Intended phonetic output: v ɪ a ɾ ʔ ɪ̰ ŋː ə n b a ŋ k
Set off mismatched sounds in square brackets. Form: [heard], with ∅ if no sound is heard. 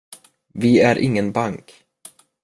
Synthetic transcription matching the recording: v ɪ [æ] ɾ ʔ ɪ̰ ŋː ə n b a ŋ k